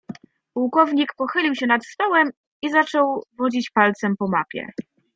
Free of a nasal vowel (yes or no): yes